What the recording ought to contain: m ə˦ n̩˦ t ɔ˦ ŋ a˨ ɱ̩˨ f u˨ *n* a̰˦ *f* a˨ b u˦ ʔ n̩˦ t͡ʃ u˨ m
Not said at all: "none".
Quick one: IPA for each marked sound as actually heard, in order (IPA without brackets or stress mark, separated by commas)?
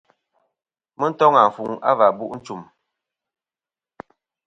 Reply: ŋ, v